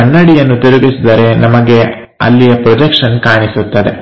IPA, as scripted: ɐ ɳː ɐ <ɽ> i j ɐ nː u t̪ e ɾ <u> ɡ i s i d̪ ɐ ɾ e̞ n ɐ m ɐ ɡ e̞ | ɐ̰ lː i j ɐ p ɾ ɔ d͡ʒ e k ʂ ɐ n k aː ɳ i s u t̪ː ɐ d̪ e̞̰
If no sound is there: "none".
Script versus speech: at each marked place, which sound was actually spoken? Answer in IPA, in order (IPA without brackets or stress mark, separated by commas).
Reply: ɽ, u